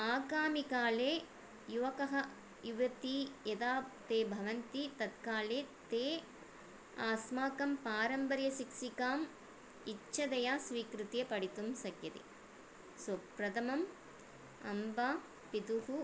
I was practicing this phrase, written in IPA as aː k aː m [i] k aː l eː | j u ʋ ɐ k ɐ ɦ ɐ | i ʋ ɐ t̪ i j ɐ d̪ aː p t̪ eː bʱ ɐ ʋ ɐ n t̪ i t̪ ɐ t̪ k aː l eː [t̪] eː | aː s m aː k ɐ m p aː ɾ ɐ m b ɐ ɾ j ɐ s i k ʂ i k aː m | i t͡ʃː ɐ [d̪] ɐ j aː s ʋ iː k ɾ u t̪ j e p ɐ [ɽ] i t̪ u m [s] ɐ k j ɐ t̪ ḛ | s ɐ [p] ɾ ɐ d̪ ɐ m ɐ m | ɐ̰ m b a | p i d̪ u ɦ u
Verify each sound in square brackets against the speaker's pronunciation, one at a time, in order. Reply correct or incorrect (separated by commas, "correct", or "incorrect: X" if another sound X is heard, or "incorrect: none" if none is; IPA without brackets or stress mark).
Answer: correct, correct, correct, correct, correct, correct